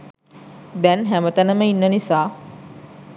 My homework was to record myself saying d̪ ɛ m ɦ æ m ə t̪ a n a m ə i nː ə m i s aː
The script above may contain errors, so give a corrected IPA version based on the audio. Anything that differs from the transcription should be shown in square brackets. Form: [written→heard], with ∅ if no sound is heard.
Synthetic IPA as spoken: d̪ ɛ [m→n] ɦ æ m ə t̪ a n [a→ə] m ə i nː ə [m→n] i s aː